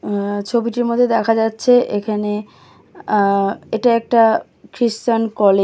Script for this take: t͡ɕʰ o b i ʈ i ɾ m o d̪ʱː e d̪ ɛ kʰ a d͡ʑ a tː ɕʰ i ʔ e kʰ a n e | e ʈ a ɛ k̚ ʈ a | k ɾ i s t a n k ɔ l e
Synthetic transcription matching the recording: t͡ɕʰ o b i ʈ i ɾ m o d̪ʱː e d̪ ɛ kʰ a d͡ʑ a tː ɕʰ e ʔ e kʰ a n e | e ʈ a ɛ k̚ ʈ a | k ɾ i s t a n k ɔ l e